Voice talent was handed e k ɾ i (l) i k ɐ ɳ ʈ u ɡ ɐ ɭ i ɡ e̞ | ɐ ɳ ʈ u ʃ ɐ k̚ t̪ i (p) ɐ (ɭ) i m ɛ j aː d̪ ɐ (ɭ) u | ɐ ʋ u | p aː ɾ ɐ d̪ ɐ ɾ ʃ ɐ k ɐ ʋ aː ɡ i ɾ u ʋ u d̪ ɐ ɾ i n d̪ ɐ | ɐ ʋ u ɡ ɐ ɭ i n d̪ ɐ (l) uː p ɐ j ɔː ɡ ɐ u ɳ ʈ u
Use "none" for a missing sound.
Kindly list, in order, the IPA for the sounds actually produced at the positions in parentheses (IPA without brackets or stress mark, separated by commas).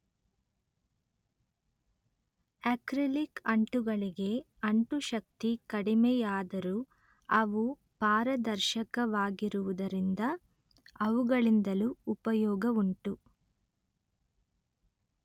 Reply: l, k, ɽ, ɾ, l